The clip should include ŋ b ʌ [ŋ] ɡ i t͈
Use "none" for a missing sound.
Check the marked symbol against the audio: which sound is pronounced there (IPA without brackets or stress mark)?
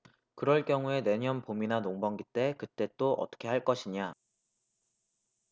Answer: ŋ